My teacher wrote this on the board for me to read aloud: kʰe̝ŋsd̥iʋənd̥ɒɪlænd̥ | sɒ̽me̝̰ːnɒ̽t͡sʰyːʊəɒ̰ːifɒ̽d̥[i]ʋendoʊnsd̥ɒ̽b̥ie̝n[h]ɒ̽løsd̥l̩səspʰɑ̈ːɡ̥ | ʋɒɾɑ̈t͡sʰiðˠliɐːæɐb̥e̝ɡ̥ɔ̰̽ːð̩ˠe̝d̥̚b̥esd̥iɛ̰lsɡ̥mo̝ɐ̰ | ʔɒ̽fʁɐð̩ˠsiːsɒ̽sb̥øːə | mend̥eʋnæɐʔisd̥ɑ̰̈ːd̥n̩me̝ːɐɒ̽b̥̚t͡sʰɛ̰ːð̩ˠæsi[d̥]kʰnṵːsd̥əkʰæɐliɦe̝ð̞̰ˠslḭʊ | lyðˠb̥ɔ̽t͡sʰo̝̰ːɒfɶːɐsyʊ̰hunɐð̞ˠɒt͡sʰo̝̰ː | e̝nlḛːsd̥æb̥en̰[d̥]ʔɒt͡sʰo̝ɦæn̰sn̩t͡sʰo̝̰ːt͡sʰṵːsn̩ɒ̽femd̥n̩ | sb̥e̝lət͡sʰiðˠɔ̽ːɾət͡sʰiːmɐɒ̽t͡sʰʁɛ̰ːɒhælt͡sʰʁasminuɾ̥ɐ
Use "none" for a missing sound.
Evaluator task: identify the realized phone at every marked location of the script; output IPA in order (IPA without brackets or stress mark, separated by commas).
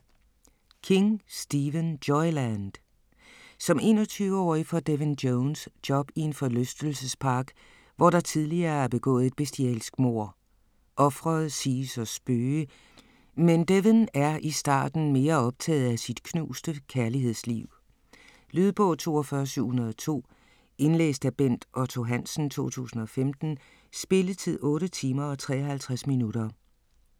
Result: e, f, d̥, d̥